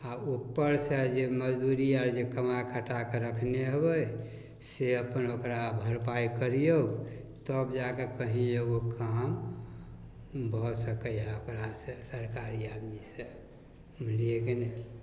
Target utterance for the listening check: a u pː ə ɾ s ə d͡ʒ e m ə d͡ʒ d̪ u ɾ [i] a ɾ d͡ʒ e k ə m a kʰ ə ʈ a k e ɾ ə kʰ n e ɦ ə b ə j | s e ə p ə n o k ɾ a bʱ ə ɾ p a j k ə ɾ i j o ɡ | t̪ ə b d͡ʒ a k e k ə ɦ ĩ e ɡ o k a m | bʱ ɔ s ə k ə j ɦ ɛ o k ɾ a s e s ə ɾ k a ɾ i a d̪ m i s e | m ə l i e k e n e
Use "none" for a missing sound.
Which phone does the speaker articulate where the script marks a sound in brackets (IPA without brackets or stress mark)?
i